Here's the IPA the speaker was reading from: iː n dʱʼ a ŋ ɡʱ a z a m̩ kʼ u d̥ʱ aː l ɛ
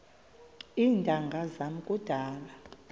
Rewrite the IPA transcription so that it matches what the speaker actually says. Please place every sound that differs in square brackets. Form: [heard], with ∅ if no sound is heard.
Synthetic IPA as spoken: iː n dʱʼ a ŋ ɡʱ a z a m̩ kʼ u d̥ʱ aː l [a]